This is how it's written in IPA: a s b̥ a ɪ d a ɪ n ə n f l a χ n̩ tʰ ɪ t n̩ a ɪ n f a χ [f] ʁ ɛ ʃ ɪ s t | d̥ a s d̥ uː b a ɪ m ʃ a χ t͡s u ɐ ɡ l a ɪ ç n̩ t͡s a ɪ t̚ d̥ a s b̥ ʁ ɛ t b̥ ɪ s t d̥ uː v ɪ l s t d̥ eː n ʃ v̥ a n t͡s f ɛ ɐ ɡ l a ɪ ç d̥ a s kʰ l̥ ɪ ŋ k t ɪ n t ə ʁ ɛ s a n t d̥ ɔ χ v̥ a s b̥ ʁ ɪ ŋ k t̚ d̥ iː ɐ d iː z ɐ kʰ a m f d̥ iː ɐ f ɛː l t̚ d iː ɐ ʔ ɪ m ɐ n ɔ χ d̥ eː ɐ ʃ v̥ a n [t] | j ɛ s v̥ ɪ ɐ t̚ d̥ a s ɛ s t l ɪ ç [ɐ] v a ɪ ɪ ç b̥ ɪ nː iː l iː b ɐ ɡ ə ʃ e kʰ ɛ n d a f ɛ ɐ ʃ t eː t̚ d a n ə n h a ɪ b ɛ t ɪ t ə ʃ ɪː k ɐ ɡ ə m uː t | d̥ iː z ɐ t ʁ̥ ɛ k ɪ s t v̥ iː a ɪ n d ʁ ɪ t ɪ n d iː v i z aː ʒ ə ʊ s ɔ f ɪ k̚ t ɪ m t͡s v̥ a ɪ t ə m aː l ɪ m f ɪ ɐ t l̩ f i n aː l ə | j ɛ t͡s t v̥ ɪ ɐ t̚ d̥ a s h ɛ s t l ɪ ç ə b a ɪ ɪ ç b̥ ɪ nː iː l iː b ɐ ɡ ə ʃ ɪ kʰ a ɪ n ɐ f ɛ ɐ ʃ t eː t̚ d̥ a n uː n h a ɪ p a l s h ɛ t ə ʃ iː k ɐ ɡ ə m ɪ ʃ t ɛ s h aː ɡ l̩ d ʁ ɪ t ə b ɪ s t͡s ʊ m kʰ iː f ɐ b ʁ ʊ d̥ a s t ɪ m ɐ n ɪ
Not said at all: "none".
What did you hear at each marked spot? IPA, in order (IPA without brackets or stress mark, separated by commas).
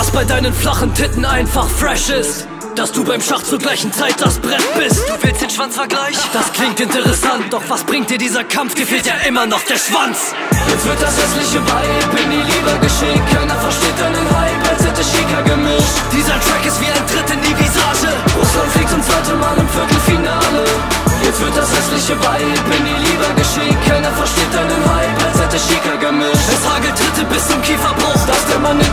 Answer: f, t͡s, ə